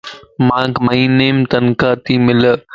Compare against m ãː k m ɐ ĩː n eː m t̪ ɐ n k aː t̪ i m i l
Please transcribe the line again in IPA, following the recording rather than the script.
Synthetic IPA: m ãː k m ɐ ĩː n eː m t̪ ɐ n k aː t̪ i m ɪ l

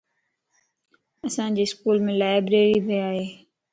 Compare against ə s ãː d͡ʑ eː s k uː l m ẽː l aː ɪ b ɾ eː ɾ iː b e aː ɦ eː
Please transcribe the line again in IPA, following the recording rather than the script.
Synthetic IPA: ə s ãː d͡ʑ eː s k uː l m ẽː l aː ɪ b ɾ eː ɾ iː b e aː ɦ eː

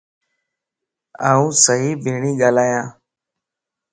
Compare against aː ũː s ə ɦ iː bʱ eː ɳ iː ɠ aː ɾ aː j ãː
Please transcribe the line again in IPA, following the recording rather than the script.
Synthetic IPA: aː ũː s ə ɦ iː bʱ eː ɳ iː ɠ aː l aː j ãː

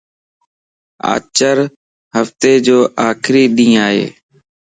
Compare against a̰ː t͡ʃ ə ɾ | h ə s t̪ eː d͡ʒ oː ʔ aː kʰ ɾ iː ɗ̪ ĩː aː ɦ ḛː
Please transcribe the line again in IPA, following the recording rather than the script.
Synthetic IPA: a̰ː t͡ʃ ə ɾ | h ə f t̪ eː d͡ʒ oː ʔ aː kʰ ɾ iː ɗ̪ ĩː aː ɦ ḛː

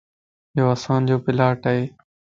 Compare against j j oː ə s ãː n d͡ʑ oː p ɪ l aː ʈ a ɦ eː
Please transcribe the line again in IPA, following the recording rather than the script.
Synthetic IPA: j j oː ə s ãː n d͡ʑ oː p ɪ l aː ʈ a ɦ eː

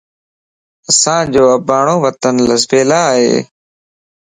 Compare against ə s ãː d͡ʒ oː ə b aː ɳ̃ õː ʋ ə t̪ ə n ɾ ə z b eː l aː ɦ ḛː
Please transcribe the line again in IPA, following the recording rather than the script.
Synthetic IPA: ə s ãː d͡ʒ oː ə b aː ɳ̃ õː ʋ ə t̪ ə n l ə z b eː l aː ɦ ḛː

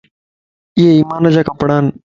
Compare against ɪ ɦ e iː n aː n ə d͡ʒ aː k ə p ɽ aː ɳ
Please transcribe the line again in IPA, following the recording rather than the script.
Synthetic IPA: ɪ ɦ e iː m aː n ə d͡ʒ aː k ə p ɽ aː n

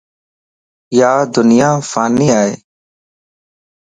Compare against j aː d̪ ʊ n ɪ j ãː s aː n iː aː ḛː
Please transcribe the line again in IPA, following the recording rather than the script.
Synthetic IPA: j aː d̪ ʊ n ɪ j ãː f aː n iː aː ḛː

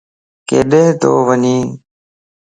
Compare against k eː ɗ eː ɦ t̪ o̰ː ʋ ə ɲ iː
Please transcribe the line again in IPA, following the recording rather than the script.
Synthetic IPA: k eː ɗ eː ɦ t̪ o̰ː ʋ ə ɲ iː

